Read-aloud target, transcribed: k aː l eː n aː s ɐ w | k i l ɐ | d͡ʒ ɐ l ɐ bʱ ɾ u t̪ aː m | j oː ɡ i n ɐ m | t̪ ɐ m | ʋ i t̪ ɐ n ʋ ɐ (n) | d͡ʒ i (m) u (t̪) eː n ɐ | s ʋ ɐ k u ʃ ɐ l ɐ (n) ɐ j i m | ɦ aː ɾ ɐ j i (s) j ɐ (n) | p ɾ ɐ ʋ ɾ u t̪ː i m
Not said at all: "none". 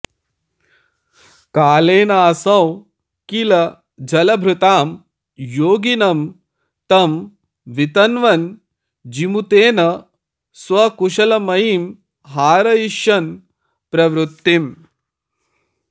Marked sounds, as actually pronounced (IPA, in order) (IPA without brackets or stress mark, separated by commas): n, m, t̪, m, ʃ, n